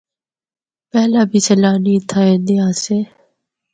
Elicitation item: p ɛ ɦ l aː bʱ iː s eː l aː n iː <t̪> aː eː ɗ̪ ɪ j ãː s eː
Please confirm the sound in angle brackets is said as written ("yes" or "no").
no